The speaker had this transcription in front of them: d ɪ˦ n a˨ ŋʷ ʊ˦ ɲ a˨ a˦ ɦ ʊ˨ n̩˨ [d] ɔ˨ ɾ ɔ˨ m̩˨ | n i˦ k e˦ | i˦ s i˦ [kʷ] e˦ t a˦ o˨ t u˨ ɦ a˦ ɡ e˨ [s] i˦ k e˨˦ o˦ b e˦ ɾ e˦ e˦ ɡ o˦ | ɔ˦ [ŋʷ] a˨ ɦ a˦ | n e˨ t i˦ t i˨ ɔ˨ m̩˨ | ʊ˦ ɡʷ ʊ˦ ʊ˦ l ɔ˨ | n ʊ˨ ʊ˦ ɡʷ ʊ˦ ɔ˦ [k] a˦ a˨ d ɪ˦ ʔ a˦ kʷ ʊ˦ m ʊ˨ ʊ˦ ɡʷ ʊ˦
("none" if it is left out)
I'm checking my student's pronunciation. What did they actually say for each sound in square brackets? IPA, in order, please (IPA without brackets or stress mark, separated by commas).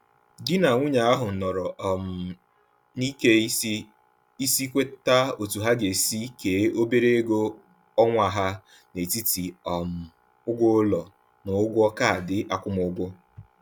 n, kʷ, s, ŋʷ, k